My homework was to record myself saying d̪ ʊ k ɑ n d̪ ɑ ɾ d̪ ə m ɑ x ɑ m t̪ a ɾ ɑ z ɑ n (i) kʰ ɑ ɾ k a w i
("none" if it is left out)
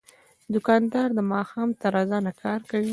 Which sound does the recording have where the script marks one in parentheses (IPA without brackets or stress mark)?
a